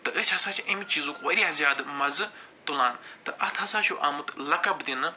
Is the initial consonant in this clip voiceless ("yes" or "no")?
yes